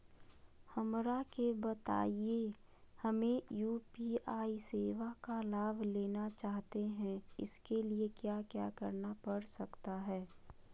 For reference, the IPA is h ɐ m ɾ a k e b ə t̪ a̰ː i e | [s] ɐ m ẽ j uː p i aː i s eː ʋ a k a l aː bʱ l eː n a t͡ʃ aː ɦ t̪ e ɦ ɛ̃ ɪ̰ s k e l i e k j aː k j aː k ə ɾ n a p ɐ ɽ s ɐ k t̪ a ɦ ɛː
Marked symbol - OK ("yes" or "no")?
no